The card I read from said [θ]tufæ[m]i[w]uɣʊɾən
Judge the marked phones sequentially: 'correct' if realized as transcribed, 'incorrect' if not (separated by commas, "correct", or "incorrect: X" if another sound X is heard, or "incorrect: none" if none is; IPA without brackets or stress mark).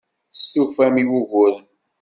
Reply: incorrect: s, correct, correct